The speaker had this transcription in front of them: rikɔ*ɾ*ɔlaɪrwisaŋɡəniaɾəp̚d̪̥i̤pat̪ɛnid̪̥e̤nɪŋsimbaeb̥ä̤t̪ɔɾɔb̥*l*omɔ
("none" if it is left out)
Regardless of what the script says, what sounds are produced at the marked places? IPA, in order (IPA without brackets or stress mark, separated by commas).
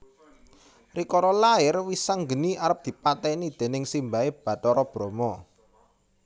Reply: ɾ, ɾ